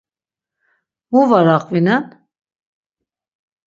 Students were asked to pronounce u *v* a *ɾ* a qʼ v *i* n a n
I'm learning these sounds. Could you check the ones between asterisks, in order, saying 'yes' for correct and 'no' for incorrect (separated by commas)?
yes, yes, yes